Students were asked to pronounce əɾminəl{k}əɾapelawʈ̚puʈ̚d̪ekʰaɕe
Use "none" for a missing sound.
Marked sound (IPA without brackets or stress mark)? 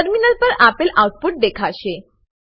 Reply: p